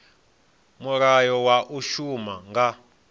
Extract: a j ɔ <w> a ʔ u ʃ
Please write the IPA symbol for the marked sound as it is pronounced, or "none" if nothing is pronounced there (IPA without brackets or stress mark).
w